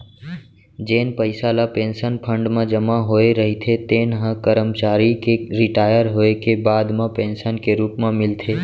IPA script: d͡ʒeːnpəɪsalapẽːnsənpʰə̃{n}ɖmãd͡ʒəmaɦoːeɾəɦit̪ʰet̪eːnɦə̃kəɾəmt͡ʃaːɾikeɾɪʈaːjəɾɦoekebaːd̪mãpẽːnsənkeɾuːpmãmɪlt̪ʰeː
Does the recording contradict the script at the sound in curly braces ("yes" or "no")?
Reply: yes